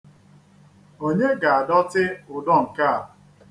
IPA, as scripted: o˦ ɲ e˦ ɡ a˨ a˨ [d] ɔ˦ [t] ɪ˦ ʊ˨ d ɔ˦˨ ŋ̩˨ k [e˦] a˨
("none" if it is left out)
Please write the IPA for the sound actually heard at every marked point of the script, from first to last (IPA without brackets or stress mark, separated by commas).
d, t, a˦